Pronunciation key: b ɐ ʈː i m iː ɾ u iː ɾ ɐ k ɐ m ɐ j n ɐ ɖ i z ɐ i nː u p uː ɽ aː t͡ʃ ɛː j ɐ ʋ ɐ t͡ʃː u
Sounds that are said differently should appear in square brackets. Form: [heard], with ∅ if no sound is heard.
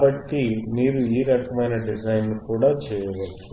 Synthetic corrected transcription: b ɐ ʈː i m iː ɾ u iː ɾ ɐ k ɐ m ɐ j n ɐ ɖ i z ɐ [j] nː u [k] uː ɽ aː t͡ʃ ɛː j ɐ ʋ ɐ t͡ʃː u